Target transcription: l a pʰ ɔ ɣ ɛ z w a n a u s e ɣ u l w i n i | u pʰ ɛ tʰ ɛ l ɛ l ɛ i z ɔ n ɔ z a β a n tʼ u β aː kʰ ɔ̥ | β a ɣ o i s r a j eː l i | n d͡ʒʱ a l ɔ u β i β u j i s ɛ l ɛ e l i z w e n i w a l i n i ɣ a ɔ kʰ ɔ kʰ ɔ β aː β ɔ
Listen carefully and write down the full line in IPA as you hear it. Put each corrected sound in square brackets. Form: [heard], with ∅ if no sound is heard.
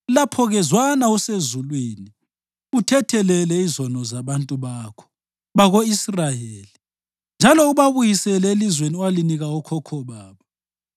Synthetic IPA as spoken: l a pʰ ɔ ɣ ɛ z w a n a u s e [z] u l w i n i | u [tʰ] ɛ tʰ ɛ l ɛ l ɛ i z ɔ n ɔ z a β a n tʼ u β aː kʰ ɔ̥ | β a ɣ o i s r a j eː l i | n d͡ʒʱ a l ɔ u β [a] β u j i s ɛ l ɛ e l i z w e n i w a l i n i ɣ a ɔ kʰ ɔ kʰ ɔ β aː β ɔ